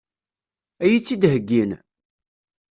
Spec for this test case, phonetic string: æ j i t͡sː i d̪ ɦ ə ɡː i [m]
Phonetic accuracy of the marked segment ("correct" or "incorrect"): incorrect